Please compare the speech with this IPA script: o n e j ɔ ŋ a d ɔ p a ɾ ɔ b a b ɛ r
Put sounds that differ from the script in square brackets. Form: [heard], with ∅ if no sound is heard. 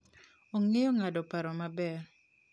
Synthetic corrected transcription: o [ŋ] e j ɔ ŋ a d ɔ p a ɾ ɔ [m] a b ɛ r